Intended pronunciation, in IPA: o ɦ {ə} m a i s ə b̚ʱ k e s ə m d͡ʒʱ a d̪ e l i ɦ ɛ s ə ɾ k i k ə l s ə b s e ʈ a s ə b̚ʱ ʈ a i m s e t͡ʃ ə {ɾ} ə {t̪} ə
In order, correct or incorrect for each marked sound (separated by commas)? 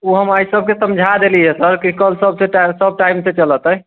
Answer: correct, incorrect, correct